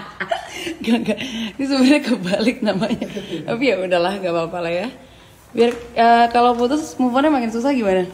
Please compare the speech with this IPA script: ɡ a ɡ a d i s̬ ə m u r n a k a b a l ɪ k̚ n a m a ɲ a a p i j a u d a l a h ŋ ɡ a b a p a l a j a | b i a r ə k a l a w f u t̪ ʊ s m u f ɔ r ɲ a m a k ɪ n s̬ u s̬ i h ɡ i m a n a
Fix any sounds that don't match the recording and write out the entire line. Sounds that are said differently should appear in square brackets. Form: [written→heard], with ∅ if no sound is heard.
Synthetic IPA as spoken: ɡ a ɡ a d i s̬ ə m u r [n→ɲ] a k [a→ə] b a l ɪ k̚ n a m a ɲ a a p i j a u d a l a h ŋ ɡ a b a p a l a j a | b i a r ə k a l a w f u t̪ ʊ s m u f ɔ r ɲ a m a k ɪ n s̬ u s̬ [i→a] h ɡ i m a n a